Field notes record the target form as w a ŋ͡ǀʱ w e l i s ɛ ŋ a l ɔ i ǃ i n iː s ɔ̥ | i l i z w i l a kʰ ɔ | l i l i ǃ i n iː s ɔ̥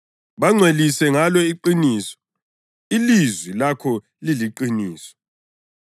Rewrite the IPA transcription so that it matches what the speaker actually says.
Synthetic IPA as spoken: β a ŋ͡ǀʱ w e l i s ɛ ŋ a l ɔ i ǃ i n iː s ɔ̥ | i l i z w i l a kʰ ɔ | l i l i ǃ i n iː s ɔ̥